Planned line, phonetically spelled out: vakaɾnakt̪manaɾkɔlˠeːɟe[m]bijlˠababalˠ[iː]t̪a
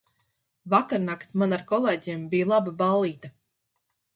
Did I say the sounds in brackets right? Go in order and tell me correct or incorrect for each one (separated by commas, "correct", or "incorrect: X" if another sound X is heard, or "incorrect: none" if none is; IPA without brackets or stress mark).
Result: correct, correct